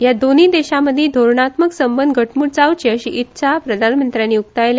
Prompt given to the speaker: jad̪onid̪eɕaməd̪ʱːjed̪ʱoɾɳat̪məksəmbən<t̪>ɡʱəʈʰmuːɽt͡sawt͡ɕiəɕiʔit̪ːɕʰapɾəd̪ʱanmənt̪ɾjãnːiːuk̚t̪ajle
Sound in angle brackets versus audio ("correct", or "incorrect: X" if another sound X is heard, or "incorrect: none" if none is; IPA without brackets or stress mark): incorrect: d̪